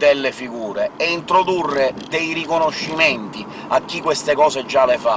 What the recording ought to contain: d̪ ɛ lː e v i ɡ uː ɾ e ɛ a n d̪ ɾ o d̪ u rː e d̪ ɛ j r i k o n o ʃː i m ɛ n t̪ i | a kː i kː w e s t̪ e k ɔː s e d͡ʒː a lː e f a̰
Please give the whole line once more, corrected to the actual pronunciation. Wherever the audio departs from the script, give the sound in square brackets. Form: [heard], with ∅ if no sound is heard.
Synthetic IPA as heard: d̪ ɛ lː e [f] i ɡ uː ɾ e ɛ [i] n [t̪] ɾ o d̪ u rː e d̪ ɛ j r i k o n o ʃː i m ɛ n t̪ i | a kː i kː w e s t̪ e k ɔː s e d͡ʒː a [l] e f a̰